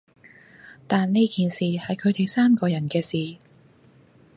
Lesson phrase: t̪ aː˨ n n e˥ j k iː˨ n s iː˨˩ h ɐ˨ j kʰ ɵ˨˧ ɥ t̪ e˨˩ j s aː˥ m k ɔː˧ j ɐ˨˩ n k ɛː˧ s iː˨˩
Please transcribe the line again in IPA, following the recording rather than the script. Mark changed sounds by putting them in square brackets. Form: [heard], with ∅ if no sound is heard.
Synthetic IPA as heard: t̪ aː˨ n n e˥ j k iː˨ n s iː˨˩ h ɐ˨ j kʰ ɵ˨˧ ɥ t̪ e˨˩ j s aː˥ m k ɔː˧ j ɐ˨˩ n k ɛː˧ s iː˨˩